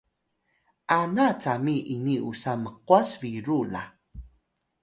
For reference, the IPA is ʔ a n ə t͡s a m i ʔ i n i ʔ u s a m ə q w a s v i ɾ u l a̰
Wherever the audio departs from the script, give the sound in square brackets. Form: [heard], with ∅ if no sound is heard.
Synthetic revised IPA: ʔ a n [a] t͡s a m i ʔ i n i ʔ u s a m ə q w a s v i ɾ u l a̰